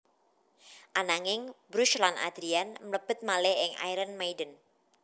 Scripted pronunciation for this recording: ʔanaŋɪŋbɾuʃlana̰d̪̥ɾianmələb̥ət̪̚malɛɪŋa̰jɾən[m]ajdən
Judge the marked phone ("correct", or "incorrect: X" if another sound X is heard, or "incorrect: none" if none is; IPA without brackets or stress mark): correct